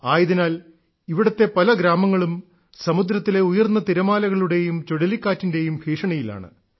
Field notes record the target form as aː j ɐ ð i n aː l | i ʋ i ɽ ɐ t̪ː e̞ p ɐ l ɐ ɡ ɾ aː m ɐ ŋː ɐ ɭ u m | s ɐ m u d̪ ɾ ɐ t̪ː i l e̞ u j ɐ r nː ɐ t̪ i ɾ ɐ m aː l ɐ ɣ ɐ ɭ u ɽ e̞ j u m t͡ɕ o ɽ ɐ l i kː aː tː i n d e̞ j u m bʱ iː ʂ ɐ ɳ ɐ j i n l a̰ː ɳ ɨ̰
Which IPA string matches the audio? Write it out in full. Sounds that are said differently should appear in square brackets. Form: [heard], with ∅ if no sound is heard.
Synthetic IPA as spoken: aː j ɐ ð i n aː l | i ʋ i ɽ ɐ t̪ː e̞ p ɐ l ɐ ɡ ɾ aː m ɐ ŋː ɐ ɭ u m | s ɐ m u d̪ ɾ ɐ t̪ː i l e̞ u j ɐ r nː ɐ t̪ i ɾ ɐ m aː l ɐ ɣ ɐ ɭ u ɽ e̞ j u m t͡ɕ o ɽ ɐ l i kː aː tː i n d e̞ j u m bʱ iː ʂ ɐ ɳ ɐ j i [∅] l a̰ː ɳ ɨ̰